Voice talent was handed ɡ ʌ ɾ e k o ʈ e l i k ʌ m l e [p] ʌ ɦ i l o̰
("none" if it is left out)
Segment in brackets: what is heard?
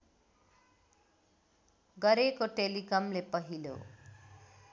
p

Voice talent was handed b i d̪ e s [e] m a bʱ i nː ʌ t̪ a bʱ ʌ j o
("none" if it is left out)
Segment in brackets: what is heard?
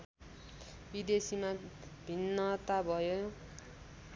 i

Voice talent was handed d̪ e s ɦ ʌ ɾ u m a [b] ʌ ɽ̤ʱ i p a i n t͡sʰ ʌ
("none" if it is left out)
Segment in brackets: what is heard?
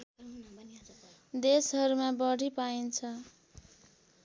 b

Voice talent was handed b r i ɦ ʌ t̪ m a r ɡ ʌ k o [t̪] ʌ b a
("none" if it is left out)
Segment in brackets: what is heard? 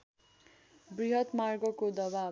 d̪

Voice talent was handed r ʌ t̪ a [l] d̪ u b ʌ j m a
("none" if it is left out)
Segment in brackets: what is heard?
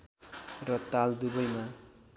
l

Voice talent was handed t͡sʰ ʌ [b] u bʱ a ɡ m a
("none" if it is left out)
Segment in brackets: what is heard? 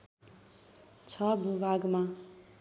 b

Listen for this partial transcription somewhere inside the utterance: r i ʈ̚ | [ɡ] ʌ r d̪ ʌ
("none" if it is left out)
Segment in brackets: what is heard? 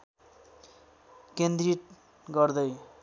ɡ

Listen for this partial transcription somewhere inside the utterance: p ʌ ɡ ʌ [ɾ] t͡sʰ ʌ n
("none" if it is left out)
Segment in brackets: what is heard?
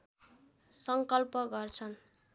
r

